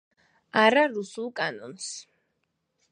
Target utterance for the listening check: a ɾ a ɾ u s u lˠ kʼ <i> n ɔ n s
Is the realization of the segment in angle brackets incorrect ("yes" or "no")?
yes